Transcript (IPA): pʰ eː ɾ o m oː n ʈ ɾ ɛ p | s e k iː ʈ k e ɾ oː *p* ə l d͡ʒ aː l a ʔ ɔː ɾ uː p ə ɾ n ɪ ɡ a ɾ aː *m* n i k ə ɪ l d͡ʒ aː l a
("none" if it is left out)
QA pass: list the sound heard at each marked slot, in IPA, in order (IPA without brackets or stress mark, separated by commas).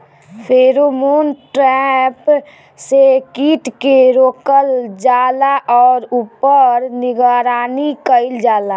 k, none